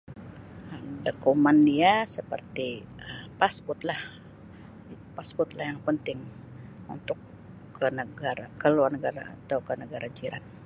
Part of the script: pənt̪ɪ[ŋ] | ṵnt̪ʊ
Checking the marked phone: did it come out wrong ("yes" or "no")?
no